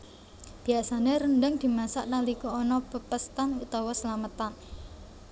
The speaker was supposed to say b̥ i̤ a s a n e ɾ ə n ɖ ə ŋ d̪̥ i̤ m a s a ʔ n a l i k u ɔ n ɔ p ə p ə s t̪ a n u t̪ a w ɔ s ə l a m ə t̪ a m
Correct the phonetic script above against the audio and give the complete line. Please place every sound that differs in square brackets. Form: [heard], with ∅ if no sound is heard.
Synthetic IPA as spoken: b̥ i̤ a s a n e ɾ ə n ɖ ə ŋ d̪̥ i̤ m a s a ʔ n a l i k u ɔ n ɔ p ə p ə s t̪ a n u t̪ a w ɔ s ə l a m ə t̪ a [n]